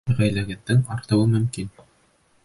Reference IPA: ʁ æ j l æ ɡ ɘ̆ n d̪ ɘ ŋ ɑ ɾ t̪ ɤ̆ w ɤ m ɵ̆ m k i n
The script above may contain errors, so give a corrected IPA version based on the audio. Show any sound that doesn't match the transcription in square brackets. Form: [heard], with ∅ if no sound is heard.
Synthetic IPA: ʁ æ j l æ ɡ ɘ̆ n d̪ ɘ ŋ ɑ ɾ t̪ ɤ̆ w ɤ m ɵ̆ m k i n